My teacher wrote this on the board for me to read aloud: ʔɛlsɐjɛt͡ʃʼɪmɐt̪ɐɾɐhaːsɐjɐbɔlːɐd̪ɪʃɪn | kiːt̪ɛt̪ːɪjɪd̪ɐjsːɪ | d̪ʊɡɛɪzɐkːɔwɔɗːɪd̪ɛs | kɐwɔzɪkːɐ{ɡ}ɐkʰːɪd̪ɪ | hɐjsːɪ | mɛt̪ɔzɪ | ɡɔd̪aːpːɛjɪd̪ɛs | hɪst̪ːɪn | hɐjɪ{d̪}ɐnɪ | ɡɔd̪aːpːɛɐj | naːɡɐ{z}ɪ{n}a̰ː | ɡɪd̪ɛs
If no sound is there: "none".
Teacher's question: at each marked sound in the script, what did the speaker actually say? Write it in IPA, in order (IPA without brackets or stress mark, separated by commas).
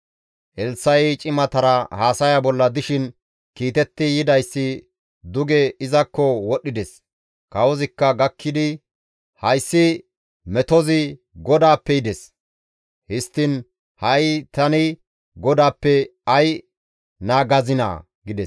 ɡ, t̪, z, n